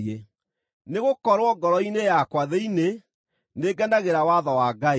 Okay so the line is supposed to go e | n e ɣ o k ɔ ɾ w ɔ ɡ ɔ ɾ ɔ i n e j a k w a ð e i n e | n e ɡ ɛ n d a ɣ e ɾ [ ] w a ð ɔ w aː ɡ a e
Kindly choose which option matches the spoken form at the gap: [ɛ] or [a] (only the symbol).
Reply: a